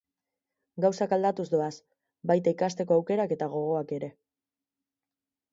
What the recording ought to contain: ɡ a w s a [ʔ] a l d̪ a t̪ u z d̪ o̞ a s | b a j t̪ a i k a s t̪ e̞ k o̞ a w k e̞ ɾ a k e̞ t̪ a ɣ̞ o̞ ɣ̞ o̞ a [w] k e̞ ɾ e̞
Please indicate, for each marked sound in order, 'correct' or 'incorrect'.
incorrect, incorrect

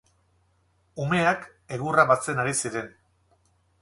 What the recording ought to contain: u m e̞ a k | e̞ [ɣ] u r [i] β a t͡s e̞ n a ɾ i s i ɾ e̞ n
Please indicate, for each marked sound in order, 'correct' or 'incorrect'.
correct, incorrect

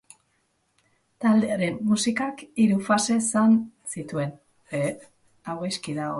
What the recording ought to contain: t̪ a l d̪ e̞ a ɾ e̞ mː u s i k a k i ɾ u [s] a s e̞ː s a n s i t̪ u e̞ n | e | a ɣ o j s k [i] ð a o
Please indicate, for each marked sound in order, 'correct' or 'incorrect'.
incorrect, correct

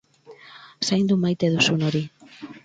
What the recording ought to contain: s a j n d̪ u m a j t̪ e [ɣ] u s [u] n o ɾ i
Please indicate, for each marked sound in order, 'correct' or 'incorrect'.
incorrect, correct

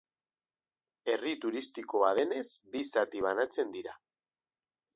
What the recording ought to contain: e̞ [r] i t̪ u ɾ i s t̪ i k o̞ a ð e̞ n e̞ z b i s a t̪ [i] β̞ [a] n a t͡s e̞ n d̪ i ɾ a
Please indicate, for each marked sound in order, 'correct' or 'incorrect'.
correct, correct, correct

